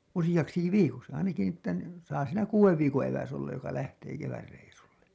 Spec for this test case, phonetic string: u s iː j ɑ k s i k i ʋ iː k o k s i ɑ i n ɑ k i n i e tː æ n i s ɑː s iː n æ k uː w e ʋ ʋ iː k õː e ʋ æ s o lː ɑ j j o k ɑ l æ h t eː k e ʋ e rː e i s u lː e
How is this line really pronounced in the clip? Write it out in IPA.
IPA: u s i j ɑ k s i k i ʋ iː k o k s i ɑ i n ɑ k i n i e tː æ n i s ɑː s iː n æ k uː w e ʋ ʋ iː k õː e ʋ æ s o lː ɑ j j o k ɑ l æ h t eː k e ʋ æ rː e i s u lː e